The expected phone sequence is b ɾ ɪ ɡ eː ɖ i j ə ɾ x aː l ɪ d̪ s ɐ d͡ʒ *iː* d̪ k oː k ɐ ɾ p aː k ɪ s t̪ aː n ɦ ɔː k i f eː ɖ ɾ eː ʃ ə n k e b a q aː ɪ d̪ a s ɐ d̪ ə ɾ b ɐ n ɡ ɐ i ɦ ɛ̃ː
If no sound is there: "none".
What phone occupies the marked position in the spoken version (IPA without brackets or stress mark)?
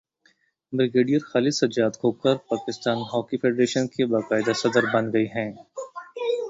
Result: aː